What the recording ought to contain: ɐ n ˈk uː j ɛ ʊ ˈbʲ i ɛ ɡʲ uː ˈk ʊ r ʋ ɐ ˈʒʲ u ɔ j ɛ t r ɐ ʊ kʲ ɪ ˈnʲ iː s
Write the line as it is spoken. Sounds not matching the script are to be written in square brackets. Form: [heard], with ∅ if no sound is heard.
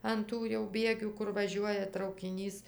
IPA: ɐ n [ˈt] uː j ɛ ʊ ˈbʲ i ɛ ɡʲ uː ˈk ʊ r ʋ ɐ ˈʒʲ u ɔ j ɛ t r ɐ ʊ kʲ ɪ ˈnʲ iː s